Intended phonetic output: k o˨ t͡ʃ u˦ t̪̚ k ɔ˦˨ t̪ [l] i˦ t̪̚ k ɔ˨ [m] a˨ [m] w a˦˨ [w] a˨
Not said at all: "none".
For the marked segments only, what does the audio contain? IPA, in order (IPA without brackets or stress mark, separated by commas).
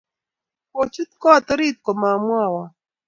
ɾ, m, m, w